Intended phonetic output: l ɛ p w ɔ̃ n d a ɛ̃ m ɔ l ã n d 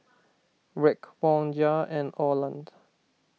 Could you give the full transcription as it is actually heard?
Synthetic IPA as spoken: ɹ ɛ k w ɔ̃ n d͡ʒ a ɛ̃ n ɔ l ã n d

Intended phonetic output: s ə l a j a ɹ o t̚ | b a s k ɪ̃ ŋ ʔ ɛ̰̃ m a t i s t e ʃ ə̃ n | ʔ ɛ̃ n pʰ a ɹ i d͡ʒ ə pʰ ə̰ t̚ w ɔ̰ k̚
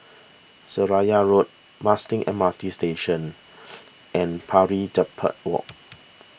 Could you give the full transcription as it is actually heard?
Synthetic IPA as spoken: s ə ɹ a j a ɹ o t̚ | m a s t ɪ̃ ŋ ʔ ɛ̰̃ m a t i s t e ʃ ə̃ n | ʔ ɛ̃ n pʰ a ɹ i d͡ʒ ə pʰ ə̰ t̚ w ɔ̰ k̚

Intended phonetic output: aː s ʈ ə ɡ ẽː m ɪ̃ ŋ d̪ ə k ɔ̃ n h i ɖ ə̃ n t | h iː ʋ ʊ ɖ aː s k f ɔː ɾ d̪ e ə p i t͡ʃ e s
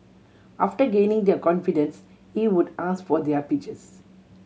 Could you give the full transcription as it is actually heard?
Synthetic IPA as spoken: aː f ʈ ə ɡ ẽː n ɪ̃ ŋ d̪ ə k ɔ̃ n f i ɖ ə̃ n s | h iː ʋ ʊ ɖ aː s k f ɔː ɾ d̪ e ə p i t͡ʃ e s

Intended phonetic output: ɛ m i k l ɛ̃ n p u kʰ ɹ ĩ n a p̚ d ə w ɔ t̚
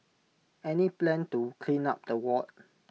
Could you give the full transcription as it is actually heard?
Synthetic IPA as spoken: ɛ n i p l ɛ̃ n t u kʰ l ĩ n a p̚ d ə w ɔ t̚

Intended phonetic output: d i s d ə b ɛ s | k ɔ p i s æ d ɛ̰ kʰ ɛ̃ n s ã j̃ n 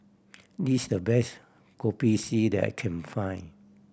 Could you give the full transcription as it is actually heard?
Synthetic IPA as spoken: d i s d ə b ɛ s | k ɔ p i s i d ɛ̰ kʰ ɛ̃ n f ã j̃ n

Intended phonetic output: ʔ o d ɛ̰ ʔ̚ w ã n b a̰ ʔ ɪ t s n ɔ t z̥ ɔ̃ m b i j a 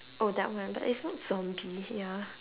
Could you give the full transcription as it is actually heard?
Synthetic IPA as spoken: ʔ o d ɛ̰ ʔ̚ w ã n b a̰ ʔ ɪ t s n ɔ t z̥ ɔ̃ m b i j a

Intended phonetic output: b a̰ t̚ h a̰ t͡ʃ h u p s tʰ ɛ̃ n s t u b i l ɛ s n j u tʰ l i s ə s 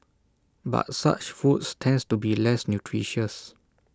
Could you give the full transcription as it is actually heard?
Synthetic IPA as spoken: b a̰ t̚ s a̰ t͡ʃ f u t s tʰ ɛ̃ n s t u b i l ɛ s n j u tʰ ɹ i ʃ ə s

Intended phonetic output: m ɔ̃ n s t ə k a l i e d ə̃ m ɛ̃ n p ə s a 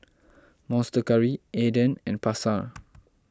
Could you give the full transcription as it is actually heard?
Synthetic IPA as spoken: m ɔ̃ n s t ə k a ɹ i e d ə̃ n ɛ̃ n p a s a

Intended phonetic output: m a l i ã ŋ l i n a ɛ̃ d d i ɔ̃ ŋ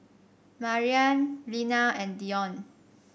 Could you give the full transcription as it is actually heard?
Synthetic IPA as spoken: m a ɹ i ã n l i n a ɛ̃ n d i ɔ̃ n

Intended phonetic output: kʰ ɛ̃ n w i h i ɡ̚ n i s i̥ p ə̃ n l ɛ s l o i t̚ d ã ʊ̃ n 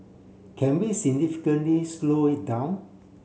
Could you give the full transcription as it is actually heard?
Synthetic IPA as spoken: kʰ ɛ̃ n w i s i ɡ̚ n i f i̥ k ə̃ n l i s l o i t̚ d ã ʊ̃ n

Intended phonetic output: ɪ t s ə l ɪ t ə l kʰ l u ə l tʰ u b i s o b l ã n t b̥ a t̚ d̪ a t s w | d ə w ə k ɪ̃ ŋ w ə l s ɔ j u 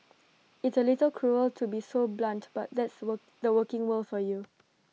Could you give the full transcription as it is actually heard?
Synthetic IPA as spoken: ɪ t s ə l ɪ t ə l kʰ ɹ u ə l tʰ u b i s o b l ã n t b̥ a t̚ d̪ ɛ t s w | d ə w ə k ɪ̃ ŋ w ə l f ɔ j u

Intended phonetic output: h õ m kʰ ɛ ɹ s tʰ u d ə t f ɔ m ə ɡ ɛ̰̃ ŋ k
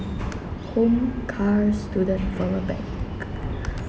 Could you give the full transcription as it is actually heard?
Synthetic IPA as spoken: h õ m kʰ a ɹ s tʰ u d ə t f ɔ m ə b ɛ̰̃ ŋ k

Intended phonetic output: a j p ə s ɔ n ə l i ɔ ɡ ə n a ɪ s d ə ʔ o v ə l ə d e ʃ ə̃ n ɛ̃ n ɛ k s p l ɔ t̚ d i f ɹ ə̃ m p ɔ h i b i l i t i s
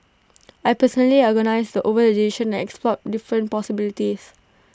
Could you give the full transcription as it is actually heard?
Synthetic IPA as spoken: a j p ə s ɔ n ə l i ɔ ɡ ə n a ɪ s d ə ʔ o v ə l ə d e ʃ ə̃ n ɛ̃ n ɛ k s p l ɔ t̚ d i f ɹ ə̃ n p ɔ s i b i l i t i s

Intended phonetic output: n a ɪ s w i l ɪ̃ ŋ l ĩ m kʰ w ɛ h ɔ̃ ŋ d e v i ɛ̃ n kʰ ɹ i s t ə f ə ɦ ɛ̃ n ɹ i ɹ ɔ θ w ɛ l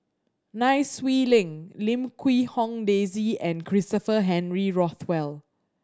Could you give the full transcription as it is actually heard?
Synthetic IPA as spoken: n a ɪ s w i l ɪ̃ ŋ l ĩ m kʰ w i h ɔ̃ ŋ d e z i ɛ̃ n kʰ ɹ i s t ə f ə ɦ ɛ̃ n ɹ i ɹ ɔ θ w ɛ l

